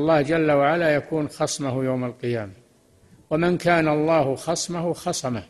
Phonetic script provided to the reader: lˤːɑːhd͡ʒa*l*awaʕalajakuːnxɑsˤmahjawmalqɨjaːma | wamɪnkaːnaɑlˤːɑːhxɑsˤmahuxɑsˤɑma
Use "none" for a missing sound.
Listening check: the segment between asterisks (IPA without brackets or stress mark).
lː